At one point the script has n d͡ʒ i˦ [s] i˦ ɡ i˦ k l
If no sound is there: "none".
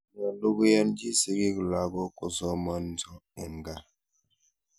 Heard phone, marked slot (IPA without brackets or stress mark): s